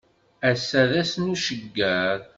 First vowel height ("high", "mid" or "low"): low